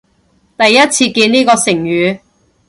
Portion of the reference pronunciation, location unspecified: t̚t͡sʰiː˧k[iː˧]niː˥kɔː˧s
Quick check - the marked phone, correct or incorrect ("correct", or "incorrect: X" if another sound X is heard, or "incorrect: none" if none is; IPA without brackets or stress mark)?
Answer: correct